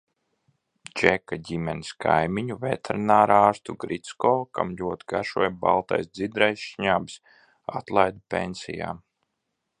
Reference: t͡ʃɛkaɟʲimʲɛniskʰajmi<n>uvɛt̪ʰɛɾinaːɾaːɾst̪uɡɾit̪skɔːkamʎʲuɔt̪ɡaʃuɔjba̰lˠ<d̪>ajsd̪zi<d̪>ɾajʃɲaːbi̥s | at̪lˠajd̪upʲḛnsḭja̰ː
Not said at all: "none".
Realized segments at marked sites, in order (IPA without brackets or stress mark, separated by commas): ɲ, t̪, d̪